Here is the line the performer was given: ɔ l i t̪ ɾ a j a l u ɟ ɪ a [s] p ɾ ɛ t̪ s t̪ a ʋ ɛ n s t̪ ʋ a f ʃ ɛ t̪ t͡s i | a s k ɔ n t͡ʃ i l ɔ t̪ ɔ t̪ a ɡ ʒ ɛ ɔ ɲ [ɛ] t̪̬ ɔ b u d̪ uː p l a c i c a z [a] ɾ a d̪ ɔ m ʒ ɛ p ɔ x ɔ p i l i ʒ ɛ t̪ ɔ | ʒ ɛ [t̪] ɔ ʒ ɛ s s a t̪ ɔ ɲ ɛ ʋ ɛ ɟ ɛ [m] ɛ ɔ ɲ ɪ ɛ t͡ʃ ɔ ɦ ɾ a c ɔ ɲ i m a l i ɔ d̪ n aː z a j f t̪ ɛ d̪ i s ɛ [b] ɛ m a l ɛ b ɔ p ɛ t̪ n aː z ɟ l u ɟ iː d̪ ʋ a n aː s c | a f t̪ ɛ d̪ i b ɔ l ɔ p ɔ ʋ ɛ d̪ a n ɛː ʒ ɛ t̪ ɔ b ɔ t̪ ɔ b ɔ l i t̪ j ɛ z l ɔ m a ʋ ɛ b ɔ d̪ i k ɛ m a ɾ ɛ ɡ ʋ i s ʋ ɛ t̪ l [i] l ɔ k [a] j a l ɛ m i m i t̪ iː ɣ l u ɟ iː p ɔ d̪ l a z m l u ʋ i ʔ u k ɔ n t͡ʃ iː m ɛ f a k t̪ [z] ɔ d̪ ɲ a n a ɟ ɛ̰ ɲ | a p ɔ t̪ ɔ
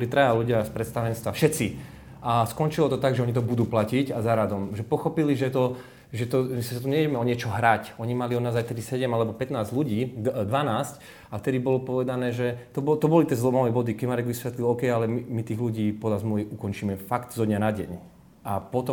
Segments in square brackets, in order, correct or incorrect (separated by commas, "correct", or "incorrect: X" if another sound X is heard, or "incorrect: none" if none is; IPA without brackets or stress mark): correct, incorrect: i, correct, correct, correct, incorrect: ɟ, correct, incorrect: ɛ, correct